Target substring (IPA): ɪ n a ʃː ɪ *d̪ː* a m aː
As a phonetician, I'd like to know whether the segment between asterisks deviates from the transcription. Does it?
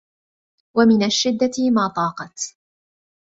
no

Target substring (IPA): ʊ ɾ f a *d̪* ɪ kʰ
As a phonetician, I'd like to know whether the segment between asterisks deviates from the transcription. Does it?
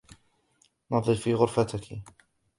yes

